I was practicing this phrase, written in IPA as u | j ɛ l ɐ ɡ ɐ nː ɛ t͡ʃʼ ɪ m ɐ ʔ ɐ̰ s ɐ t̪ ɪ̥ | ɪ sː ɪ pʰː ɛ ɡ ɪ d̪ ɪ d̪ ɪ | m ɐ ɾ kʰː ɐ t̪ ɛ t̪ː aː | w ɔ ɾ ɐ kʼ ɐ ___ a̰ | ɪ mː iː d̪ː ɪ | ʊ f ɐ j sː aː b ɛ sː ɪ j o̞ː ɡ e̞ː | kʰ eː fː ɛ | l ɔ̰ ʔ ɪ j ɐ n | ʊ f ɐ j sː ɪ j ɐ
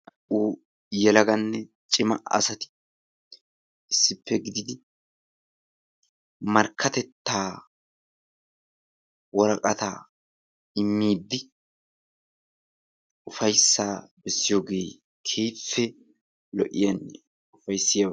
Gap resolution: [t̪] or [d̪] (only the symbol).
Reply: t̪